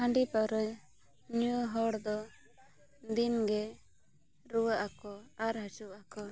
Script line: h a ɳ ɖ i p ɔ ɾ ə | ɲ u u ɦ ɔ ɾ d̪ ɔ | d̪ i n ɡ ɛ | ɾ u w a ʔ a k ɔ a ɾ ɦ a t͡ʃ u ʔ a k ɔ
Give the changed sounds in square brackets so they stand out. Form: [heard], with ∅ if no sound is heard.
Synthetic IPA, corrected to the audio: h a ɳ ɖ i p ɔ ɾ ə | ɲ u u ɦ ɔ [ɽ] d̪ ɔ | d̪ i n ɡ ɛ | ɾ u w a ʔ a k ɔ a ɾ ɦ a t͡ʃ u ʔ a k ɔ